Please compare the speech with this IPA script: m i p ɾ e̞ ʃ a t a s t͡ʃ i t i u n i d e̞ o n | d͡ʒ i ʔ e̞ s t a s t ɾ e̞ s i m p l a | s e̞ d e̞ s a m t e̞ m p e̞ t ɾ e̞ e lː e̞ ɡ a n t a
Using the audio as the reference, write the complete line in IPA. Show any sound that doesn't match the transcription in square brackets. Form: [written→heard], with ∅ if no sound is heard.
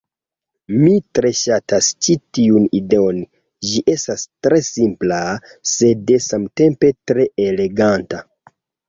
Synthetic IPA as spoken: m i [p→t] ɾ e̞ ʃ a t a s t͡ʃ i t i u n i d e̞ o n | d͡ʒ i ʔ e̞ s t a s t ɾ e̞ s i m p l a | s e̞ d e̞ s a m t e̞ m p e̞ t ɾ e̞ e [lː→l] e̞ ɡ a n t a